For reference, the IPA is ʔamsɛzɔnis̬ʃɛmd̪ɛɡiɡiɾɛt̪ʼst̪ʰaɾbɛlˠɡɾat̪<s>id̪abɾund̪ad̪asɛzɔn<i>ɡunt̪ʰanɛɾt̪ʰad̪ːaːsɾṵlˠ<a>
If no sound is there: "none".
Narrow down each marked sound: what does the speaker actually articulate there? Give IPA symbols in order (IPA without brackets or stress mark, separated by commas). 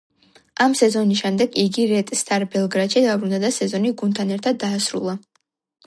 ʃ, i, a